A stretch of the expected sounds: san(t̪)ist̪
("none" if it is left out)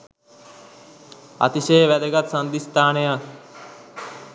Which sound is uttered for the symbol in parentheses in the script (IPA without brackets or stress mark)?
d̪